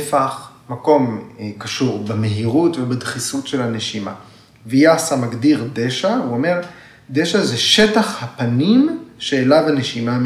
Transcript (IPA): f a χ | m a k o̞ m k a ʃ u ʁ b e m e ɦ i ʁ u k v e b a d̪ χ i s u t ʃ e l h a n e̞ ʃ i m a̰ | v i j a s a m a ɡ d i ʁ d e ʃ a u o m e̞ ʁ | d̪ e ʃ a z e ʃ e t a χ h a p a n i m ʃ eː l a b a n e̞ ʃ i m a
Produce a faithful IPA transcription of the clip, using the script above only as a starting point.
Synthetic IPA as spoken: f a χ | m a k o̞ m k a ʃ u ʁ b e m e ɦ i ʁ u t v e b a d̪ χ i s u t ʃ e l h a n e̞ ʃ i m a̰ | v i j a s a m a ɡ d i ʁ d e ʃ a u o m e̞ ʁ | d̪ e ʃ a z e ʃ e t a χ h a p a n i m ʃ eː l a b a n e̞ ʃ i m a